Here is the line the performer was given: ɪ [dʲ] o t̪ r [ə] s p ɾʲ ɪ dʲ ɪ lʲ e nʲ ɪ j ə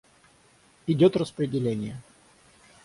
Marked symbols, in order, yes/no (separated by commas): yes, yes